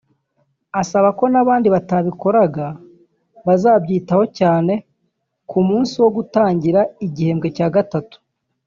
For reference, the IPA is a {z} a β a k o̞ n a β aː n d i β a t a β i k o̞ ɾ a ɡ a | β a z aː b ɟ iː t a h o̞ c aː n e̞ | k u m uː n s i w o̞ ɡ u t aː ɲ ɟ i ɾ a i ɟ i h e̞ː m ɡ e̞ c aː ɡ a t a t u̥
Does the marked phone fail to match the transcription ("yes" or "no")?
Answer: yes